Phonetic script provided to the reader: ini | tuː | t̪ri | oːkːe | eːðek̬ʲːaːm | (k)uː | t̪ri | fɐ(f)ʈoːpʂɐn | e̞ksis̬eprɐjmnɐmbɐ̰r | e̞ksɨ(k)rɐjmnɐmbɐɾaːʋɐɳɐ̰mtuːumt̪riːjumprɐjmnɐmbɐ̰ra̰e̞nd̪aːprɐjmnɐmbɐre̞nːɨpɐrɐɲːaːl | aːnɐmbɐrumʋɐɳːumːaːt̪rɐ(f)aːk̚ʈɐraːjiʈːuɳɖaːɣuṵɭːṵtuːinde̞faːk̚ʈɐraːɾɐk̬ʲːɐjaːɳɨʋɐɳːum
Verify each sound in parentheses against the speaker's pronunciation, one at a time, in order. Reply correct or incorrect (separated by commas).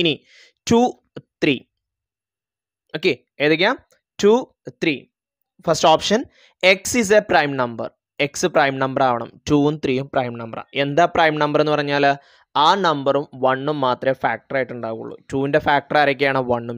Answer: incorrect, incorrect, incorrect, correct